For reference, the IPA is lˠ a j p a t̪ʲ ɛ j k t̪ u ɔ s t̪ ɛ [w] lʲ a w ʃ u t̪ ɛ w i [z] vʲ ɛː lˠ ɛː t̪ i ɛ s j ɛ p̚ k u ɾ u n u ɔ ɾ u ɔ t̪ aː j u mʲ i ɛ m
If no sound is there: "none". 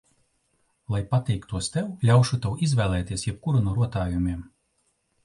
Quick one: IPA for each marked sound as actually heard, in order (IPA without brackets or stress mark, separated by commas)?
w, z